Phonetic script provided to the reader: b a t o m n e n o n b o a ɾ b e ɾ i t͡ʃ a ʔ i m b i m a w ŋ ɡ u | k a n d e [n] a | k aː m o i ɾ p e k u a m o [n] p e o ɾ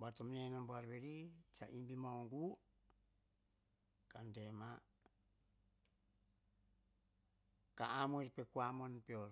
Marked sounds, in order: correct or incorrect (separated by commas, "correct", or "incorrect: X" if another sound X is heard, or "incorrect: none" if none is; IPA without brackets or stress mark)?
incorrect: m, correct